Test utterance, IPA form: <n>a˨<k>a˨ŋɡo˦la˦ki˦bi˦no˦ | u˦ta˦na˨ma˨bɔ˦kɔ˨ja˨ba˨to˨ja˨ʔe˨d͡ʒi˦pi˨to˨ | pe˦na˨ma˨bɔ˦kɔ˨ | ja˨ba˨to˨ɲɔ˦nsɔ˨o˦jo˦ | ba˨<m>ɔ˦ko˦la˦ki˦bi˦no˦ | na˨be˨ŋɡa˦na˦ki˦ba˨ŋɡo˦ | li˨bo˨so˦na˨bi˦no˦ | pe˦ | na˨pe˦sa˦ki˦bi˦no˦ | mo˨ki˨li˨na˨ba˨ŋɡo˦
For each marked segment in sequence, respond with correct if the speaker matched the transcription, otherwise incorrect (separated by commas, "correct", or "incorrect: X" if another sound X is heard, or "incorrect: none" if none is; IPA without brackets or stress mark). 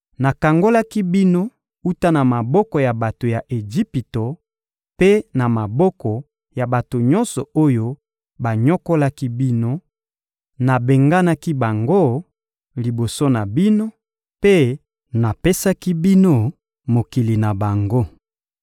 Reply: correct, correct, incorrect: ɲ